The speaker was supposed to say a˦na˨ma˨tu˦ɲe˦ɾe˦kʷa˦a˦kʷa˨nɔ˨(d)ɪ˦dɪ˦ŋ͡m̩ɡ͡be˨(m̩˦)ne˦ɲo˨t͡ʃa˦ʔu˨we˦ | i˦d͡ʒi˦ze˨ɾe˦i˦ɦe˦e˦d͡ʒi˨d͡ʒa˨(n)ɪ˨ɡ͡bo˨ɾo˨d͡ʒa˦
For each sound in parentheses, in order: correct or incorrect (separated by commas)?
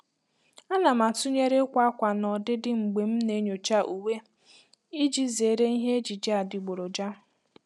correct, correct, incorrect